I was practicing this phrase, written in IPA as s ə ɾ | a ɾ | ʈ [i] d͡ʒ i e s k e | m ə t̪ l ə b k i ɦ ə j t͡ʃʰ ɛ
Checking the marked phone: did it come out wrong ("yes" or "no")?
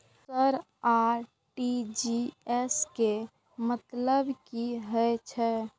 no